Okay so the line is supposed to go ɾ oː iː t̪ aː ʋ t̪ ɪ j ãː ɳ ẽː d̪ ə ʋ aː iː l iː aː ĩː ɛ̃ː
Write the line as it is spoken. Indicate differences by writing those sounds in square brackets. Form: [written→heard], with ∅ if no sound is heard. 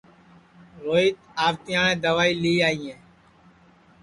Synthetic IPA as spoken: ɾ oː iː t̪ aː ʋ t̪ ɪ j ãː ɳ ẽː d̪ ə ʋ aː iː l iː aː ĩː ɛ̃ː